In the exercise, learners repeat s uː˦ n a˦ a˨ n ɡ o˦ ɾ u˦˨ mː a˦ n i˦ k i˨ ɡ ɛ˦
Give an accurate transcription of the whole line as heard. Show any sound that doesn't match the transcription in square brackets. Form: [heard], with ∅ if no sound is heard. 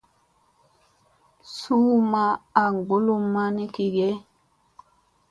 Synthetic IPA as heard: s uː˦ [m] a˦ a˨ [ŋ] ɡ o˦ [l] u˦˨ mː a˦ n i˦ k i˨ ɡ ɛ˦

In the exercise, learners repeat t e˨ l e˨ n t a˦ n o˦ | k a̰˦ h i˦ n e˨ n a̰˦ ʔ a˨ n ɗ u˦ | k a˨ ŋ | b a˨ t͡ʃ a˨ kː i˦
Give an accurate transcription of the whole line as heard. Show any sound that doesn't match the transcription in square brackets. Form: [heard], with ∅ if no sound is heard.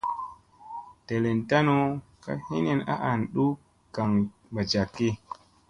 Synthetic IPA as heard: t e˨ l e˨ n t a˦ n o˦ | k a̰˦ h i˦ n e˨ n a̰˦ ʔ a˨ n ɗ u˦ | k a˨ ŋ | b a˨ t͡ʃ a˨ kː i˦

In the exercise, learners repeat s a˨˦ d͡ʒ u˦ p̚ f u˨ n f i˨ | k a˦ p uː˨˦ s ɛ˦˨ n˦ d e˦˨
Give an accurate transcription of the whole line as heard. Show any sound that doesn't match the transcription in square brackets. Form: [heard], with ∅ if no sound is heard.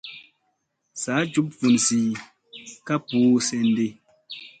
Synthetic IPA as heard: s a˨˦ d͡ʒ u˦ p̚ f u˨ n [s] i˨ | k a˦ p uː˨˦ s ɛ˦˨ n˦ d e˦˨

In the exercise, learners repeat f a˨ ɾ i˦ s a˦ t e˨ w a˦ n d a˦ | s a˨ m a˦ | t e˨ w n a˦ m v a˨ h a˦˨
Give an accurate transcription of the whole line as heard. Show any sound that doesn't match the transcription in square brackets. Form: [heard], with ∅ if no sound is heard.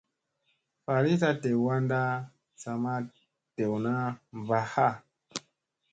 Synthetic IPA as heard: f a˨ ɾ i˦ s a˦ t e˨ w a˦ n d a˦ | s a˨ m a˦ | t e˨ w n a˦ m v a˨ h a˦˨

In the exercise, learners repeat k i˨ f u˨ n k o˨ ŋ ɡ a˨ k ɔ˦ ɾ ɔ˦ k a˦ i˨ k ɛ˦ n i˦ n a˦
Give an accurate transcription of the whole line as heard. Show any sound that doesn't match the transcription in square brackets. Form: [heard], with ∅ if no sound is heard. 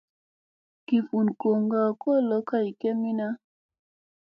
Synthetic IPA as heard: k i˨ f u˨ n k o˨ ŋ ɡ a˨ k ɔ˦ [l] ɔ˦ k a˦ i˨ k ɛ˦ [m] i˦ n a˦

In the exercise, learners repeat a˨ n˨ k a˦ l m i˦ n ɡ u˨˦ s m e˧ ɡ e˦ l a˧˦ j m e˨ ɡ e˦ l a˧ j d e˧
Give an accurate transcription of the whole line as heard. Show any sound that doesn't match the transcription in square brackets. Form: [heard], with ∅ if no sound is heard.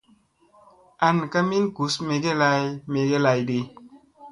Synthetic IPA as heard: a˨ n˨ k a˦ [∅] m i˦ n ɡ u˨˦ s m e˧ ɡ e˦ l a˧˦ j m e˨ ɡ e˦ l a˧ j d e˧

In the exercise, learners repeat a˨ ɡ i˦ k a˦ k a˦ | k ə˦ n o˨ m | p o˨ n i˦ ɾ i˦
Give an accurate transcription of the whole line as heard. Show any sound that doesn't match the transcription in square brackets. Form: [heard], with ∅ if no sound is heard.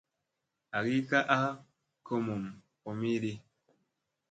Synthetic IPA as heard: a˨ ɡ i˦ k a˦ [ʔ] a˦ | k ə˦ [m] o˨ m | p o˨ [m] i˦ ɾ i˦

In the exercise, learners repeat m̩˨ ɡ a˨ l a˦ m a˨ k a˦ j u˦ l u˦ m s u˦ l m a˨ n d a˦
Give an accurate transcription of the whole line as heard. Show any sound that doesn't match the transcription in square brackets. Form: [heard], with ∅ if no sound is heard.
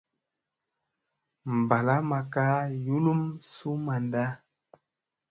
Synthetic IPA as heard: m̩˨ [b] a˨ l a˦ m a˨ k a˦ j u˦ l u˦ m s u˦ [∅] m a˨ n d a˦

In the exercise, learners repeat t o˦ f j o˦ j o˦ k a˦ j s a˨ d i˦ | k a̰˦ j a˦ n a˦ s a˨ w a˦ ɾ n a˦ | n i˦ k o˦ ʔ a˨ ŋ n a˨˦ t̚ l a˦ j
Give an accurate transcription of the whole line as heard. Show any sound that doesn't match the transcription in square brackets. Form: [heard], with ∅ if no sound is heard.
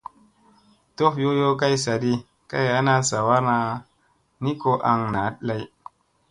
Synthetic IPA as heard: t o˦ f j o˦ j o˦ k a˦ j s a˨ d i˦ | k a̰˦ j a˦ n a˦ s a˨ w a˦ ɾ n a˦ | n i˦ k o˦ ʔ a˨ ŋ n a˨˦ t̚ l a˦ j

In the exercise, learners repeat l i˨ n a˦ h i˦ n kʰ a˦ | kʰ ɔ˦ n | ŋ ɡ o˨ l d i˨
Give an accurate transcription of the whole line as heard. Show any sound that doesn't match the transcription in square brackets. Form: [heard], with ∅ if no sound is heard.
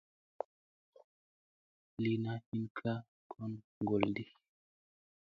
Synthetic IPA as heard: l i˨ n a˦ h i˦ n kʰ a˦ | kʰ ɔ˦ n | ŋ ɡ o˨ l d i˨

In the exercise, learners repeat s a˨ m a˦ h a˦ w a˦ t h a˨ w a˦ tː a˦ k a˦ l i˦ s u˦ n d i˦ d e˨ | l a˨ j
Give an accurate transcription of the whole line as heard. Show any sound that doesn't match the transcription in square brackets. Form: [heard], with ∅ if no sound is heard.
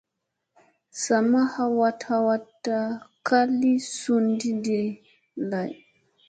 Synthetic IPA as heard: s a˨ m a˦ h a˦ w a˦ t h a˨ w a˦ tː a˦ k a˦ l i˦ s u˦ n d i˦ d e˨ | l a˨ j

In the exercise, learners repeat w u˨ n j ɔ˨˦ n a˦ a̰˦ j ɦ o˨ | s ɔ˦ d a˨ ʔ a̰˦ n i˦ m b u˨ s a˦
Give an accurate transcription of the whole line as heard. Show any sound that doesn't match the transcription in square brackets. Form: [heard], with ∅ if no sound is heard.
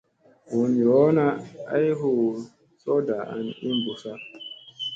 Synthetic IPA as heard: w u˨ n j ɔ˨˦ n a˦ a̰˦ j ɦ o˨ | s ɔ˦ d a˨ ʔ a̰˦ n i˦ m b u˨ s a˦

